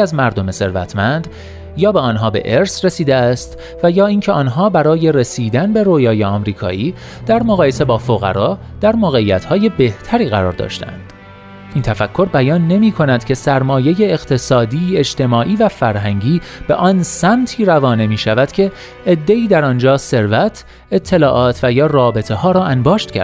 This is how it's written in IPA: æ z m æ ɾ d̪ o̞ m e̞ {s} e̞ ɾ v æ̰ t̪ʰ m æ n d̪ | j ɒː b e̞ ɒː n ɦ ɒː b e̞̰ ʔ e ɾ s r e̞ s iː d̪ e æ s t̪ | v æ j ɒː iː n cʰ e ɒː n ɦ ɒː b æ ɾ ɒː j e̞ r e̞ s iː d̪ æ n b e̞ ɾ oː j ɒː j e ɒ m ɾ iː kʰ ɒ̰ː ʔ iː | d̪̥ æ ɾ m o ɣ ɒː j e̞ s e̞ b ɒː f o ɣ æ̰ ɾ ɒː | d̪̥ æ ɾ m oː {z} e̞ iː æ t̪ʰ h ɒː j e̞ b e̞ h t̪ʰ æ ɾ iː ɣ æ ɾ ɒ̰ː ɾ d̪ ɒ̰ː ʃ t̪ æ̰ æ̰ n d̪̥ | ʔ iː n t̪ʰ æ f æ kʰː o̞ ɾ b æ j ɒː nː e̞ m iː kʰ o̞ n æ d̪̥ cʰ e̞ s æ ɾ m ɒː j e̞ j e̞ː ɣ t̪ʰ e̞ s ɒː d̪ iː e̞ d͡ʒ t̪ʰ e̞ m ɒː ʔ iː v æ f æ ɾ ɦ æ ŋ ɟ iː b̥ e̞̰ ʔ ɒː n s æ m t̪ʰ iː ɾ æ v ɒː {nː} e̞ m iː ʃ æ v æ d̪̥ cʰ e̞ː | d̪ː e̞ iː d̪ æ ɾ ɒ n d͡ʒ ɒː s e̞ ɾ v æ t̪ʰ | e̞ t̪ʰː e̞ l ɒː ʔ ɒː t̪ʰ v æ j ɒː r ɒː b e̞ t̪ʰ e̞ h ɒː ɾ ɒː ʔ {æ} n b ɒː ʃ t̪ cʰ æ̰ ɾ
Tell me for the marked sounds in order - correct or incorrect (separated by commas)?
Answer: correct, incorrect, incorrect, correct